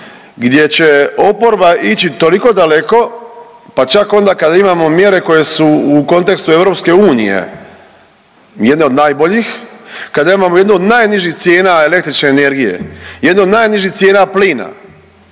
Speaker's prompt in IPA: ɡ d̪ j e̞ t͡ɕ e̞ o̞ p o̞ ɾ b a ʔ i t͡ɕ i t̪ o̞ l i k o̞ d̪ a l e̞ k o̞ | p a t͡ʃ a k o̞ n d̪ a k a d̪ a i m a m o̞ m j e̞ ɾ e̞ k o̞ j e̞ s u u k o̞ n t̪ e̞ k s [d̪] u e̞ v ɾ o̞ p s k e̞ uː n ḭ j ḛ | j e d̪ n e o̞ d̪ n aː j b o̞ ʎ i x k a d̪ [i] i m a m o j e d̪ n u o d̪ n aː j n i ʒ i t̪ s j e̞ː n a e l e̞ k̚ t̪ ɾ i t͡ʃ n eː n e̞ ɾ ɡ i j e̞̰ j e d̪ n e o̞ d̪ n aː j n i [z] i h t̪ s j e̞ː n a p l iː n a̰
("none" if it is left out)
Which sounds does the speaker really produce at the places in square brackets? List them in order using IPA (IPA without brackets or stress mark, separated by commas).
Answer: t̪, a, ʒ